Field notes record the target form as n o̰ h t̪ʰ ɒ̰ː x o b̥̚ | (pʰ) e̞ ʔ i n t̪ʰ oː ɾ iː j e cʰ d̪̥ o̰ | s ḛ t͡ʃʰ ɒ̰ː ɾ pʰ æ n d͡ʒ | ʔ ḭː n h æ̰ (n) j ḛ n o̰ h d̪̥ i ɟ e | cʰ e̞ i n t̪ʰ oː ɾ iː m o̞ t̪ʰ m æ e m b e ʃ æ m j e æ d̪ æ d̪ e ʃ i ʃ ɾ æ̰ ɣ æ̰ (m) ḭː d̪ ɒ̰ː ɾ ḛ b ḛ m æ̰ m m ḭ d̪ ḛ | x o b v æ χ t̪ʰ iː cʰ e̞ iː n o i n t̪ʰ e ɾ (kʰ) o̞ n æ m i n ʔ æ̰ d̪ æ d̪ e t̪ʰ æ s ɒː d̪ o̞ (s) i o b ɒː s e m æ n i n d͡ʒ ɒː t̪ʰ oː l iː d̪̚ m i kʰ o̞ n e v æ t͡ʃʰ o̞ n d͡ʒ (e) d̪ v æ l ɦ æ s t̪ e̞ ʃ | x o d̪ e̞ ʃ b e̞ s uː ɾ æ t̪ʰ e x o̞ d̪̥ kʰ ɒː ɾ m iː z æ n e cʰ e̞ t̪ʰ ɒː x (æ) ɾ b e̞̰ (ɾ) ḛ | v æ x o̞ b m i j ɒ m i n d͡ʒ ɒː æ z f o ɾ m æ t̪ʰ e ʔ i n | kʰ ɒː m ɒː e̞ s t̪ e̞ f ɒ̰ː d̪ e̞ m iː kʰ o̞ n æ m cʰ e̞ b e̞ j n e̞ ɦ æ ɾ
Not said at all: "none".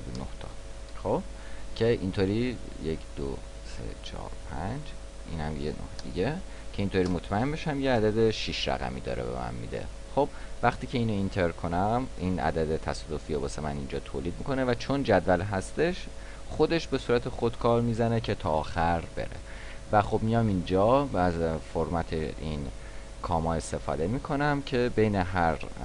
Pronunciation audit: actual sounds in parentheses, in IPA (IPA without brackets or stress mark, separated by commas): cʰ, m, m, kʰ, f, æ, æ, ɾ